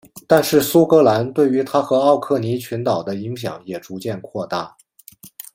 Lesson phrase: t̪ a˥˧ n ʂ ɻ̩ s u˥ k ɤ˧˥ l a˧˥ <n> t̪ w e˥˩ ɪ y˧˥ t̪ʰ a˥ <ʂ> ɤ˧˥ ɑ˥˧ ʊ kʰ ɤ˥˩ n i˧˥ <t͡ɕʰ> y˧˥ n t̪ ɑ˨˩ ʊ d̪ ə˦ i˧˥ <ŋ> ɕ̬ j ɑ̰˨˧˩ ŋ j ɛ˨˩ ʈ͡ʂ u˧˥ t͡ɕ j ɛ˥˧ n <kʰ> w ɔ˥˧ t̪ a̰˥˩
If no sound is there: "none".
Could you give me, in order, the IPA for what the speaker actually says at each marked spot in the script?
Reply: n, x, t͡ɕʰ, ŋ, kʰ

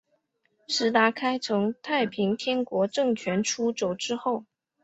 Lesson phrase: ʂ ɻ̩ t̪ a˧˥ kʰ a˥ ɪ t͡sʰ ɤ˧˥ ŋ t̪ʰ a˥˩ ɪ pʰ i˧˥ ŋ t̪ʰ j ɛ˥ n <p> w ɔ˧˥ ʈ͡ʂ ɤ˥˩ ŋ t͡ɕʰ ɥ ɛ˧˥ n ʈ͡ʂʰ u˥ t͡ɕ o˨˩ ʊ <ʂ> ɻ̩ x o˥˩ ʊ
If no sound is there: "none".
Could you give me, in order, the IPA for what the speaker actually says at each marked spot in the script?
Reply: k, ʈ͡ʂ

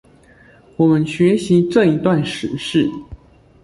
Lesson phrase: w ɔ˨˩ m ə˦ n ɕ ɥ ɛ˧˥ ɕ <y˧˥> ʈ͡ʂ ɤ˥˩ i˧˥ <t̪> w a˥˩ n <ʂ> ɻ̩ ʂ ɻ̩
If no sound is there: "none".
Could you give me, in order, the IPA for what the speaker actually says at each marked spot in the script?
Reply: i˧˥, t̪, ʂ

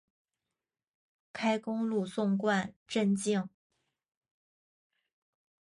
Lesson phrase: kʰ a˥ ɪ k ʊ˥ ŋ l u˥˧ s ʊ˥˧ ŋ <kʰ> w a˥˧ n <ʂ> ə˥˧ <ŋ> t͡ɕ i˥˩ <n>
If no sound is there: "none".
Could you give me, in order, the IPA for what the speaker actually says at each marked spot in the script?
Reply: k, ʈ͡ʂ, n, ŋ

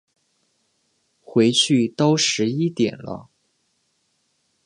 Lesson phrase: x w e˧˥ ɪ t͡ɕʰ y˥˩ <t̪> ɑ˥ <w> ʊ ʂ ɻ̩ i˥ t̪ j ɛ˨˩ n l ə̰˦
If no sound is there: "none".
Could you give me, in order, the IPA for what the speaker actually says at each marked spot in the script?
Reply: t̪, none

